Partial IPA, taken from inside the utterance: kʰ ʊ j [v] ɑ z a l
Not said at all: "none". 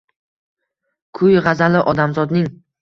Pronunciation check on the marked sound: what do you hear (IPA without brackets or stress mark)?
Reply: ʁ